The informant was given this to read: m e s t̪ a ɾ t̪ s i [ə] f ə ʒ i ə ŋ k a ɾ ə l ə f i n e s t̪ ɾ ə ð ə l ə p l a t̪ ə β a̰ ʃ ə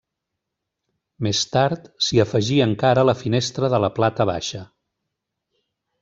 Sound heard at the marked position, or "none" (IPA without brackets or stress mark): ə